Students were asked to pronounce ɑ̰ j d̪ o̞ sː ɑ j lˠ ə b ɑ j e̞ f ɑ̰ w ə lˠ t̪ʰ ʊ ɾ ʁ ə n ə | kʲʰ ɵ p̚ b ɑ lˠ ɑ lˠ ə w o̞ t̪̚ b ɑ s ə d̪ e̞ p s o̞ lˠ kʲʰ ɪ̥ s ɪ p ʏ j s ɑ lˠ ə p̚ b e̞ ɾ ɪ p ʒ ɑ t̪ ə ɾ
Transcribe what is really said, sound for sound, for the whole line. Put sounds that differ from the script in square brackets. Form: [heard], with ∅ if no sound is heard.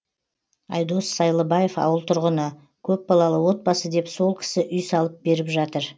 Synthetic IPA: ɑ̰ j d̪ o̞ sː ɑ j lˠ ə b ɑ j e̞ f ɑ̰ w ə lˠ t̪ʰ ʊ ɾ ʁ ə n ə | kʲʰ ɵ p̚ b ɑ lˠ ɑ lˠ ə w o̞ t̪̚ b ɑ s ə d̪ e̞ p s o̞ lˠ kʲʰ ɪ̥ s ɪ [ʔ] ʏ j s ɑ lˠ ə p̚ b e̞ ɾ ɪ p ʒ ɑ t̪ ə ɾ